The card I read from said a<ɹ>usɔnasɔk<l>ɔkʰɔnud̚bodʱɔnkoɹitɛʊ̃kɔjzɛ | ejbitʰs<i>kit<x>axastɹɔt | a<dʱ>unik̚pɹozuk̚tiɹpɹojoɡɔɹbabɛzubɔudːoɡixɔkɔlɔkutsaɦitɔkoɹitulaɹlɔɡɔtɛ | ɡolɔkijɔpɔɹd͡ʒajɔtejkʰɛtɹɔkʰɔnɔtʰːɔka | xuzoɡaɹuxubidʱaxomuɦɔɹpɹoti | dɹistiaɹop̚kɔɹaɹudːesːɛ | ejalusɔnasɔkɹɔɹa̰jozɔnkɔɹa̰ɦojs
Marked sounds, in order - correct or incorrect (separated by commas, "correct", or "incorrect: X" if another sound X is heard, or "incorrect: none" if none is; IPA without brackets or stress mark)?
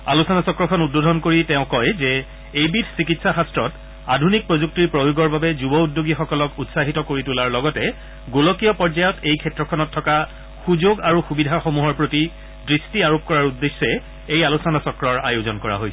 incorrect: l, incorrect: ɹ, correct, incorrect: s, correct